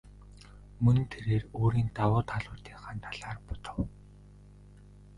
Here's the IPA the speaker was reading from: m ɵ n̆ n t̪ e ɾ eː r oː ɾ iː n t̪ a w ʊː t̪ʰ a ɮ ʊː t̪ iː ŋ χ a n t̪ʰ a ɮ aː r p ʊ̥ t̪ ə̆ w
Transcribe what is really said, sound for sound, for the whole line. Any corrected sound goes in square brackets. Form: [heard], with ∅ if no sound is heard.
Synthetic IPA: m ɵ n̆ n [t̪ʰ] e ɾ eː r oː ɾ iː n t̪ a w ʊː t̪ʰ a ɮ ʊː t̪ iː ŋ χ a n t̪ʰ a ɮ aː r p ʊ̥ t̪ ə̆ w